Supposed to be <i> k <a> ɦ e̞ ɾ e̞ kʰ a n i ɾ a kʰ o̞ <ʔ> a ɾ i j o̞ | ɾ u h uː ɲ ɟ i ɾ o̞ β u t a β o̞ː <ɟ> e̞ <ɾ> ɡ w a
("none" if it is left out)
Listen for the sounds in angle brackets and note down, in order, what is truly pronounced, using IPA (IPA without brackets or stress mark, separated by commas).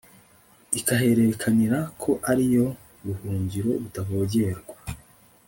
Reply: i, a, ʔ, ɟ, ɾ